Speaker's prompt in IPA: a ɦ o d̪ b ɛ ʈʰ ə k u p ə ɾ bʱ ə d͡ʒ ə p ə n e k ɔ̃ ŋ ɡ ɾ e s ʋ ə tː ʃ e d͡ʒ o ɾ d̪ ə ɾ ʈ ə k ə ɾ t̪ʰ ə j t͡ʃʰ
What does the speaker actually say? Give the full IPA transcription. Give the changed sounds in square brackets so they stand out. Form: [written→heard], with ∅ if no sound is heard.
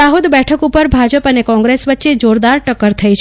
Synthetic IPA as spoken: a ɦ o d̪ b ɛ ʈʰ ə k u p ə ɾ bʱ [ə→a] d͡ʒ ə p ə n e k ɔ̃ ŋ ɡ ɾ e s ʋ ə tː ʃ e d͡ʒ o ɾ d̪ [ə→a] ɾ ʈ ə k ə ɾ t̪ʰ ə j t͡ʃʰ